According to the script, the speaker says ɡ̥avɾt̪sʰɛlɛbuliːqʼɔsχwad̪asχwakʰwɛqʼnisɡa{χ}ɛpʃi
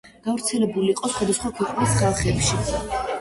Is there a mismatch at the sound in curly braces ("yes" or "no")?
no